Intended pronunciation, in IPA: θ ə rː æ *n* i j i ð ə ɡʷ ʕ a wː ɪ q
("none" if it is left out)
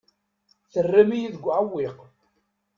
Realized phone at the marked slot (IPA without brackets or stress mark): m